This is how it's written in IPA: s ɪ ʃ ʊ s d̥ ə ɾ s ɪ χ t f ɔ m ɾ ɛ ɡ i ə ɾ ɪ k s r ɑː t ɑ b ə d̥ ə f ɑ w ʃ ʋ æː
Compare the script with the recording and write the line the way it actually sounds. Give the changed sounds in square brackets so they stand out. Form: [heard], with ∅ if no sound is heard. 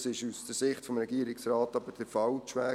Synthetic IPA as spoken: s ɪ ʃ [u] s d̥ ə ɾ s ɪ χ t f ɔ m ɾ ɛ ɡ i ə ɾ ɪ k s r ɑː t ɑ b ə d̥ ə f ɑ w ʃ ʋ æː